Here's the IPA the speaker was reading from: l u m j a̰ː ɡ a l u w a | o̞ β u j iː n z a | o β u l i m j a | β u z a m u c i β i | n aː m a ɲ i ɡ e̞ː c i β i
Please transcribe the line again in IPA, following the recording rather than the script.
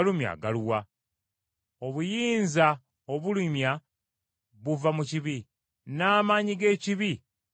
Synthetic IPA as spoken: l u m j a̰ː ɡ a l u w a | o̞ β u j iː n z a | o β u l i m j a | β u v a m u c i β i | n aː m a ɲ i ɡ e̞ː c i β i